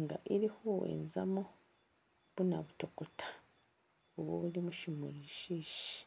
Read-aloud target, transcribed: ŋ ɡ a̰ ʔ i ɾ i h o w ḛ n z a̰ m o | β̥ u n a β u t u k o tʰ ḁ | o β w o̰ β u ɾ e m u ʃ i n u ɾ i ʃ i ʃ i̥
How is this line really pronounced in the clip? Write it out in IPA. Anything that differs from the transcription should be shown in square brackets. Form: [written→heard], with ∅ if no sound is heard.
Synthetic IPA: ŋ ɡ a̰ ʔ i ɾ i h o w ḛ n z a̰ m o | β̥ u n a β u t [u→o] k o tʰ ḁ | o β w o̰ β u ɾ [e→i] m u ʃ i [n→m] u ɾ i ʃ i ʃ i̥